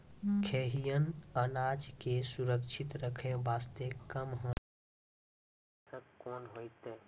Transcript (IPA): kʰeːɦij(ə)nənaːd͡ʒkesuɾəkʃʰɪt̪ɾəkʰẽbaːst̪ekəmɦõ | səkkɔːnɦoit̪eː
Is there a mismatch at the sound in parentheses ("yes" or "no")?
no